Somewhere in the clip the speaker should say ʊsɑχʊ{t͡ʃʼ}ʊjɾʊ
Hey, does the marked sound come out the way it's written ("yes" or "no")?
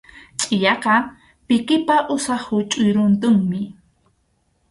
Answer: yes